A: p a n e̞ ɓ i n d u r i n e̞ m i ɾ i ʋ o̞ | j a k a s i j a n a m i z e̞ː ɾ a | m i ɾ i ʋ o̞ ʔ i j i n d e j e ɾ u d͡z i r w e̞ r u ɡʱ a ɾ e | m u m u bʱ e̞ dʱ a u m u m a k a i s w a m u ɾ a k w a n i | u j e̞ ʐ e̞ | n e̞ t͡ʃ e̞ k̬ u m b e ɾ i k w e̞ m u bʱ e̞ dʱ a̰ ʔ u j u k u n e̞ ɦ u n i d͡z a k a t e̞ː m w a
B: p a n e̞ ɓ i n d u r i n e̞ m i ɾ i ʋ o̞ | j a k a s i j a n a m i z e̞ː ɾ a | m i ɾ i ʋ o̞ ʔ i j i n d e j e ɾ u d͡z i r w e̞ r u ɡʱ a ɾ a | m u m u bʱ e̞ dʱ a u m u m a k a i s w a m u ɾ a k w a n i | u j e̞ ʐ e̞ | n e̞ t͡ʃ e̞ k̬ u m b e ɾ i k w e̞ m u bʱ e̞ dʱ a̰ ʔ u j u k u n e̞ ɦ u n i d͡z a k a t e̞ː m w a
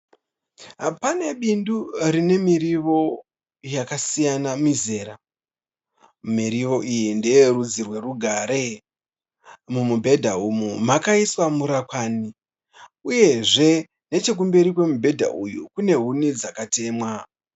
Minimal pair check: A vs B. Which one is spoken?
A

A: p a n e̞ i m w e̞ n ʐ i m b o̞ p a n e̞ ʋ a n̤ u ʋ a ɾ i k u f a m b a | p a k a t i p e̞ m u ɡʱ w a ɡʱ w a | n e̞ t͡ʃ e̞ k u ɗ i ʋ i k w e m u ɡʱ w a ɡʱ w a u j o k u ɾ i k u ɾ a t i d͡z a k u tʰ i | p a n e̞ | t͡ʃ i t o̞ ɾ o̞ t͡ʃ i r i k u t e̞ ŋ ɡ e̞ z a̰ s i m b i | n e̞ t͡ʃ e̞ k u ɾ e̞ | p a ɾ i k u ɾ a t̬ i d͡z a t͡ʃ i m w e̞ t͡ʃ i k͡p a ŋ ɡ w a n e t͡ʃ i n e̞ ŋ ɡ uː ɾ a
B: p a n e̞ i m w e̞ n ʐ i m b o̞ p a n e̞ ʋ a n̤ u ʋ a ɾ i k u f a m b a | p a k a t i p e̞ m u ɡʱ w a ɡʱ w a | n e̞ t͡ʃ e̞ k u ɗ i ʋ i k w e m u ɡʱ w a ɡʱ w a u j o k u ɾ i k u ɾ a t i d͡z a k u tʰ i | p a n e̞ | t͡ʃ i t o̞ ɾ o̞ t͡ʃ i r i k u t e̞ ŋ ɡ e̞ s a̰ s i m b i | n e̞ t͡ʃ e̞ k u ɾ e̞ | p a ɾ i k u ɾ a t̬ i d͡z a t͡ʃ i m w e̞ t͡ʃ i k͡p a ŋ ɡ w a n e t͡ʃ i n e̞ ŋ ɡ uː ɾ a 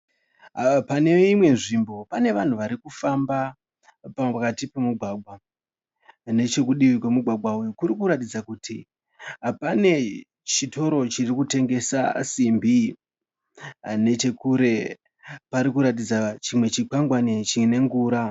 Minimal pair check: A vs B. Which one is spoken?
B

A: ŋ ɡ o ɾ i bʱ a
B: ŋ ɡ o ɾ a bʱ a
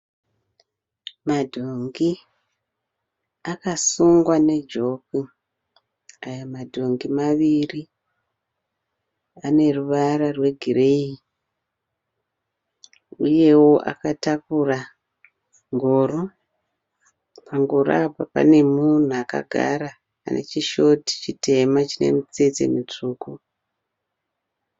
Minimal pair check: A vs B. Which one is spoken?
B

